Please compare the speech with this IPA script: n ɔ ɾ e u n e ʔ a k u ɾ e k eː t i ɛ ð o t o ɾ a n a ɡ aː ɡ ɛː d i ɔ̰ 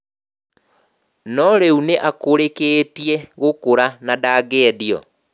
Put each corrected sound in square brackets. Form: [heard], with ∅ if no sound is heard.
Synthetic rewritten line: n ɔ ɾ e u n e ʔ a k [o] ɾ e k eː t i ɛ [ɣ] o [k] o ɾ a n a [d] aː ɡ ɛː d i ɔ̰